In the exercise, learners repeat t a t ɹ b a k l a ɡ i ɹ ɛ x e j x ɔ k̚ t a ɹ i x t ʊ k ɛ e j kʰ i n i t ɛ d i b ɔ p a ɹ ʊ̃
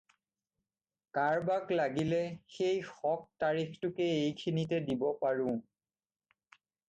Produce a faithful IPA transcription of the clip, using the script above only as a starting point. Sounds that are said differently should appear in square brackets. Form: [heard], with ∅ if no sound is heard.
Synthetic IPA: [k] a [∅] ɹ b a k l a ɡ i [l] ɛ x e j x ɔ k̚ t a ɹ i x t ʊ k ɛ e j kʰ i n i t ɛ d i b ɔ p a ɹ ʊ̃